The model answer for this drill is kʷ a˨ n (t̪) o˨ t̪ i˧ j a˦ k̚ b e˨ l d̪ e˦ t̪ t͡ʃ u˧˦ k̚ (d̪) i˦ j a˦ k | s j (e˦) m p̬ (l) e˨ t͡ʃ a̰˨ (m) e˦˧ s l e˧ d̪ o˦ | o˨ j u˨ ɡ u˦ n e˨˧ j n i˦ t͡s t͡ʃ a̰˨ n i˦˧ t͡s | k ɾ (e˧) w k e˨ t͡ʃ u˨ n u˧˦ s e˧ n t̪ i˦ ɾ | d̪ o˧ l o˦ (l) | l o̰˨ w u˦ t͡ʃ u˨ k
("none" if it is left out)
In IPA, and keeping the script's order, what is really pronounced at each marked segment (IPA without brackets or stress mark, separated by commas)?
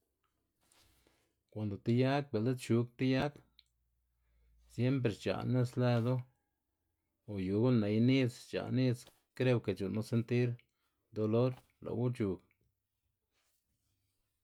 d̪, t̪, e˦, ɾ, n, e˧, ɾ